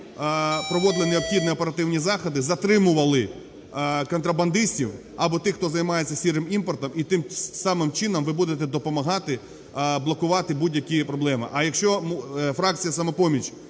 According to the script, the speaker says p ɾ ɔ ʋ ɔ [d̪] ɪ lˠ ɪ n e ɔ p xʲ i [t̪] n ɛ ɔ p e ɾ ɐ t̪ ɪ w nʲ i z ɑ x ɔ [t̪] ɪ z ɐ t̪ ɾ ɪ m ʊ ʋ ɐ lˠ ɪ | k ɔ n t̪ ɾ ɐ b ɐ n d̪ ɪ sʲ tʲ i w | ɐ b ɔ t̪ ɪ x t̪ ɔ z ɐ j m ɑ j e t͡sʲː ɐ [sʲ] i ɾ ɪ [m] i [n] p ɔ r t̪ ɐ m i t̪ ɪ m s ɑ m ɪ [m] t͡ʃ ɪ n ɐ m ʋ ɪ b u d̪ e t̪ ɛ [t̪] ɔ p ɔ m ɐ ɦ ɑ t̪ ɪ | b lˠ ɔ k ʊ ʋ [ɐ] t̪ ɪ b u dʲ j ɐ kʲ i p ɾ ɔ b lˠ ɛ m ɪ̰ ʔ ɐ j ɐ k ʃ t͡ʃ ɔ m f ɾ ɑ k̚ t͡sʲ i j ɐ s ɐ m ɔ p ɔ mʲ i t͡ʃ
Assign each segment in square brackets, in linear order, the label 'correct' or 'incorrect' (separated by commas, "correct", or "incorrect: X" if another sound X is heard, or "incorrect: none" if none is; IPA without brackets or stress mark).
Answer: correct, incorrect: d̪, incorrect: d̪, correct, correct, incorrect: m, correct, incorrect: d̪, incorrect: ɑ